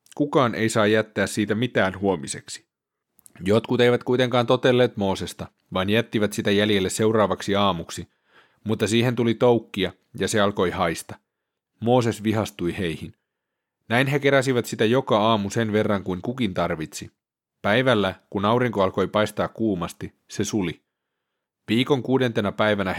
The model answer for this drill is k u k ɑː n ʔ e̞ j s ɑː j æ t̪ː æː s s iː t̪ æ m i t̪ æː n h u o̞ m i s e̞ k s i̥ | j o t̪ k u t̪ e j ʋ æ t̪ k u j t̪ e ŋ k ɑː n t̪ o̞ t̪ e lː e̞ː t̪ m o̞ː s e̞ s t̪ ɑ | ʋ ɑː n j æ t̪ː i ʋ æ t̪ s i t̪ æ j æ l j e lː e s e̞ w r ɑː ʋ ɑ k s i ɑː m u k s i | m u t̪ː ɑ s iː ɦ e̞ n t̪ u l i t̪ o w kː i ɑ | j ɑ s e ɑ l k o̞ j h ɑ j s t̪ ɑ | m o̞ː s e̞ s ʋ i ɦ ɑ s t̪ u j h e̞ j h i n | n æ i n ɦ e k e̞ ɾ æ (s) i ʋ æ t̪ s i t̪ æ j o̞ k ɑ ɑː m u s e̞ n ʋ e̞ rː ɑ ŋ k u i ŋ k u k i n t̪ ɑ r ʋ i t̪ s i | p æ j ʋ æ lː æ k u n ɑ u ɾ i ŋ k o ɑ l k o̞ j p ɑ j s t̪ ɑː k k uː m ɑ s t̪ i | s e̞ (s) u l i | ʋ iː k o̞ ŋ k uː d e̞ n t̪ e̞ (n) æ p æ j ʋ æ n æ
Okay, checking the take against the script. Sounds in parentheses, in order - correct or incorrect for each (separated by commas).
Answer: correct, correct, correct